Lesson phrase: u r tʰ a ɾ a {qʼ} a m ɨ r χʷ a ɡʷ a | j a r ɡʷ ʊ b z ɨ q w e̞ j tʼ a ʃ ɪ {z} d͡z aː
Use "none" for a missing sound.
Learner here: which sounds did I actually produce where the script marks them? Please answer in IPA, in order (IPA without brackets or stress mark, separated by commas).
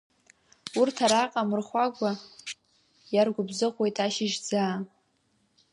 qʼ, ʒ